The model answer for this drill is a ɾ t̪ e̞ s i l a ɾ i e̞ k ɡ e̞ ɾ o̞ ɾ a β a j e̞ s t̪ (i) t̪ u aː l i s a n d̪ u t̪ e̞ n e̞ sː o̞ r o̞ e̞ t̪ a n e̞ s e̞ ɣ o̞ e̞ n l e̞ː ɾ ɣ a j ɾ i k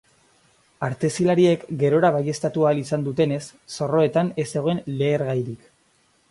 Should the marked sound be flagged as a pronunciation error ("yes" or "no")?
yes